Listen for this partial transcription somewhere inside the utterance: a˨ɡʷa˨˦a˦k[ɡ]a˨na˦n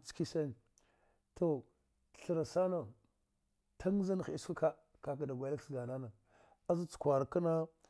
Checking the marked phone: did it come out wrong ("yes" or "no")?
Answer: no